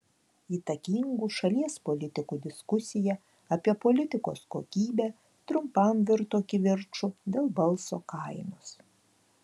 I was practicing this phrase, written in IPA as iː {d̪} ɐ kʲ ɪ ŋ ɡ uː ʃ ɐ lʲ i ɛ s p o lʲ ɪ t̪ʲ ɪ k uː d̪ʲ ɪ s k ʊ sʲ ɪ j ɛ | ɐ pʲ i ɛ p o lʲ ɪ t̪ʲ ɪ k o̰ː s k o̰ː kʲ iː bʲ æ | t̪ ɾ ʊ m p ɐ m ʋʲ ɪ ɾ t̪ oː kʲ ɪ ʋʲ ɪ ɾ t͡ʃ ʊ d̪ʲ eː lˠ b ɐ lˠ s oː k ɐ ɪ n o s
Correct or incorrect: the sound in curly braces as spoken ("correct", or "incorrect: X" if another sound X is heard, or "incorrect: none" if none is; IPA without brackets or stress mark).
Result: incorrect: t̪